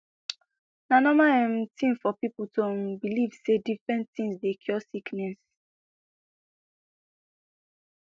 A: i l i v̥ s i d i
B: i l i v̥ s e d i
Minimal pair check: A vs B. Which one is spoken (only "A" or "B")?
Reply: B